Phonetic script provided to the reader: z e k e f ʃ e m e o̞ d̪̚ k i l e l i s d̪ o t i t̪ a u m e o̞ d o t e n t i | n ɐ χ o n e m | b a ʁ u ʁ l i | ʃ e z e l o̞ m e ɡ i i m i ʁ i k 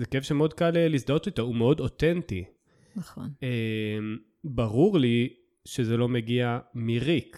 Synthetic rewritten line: z e k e f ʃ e m e o̞ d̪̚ k a l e l i s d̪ o t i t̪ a u m e o̞ d o t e n t i | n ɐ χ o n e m | b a ʁ u ʁ l i | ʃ e z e l o̞ m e ɡ i a m i ʁ i k